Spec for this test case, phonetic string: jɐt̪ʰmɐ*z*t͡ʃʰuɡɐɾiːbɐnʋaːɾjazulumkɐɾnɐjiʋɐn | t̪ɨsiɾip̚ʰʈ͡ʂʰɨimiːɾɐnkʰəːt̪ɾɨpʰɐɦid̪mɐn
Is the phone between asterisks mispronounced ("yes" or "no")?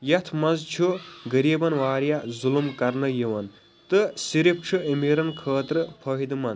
no